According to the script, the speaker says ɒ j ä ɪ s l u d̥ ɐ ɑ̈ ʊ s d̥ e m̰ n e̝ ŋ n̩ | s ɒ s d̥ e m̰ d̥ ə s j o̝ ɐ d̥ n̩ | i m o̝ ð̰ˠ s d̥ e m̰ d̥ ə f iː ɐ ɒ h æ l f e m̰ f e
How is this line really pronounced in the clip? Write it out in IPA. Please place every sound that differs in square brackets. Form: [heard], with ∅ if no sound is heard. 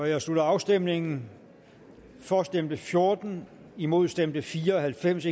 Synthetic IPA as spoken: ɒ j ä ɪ s l u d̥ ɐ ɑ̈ ʊ s d̥ e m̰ n e̝ ŋ n̩ | [f] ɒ s d̥ e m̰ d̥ ə [f] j o̝ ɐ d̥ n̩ | i m o̝ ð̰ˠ s d̥ e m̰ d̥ ə f iː ɐ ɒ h æ l f e m̰ [s] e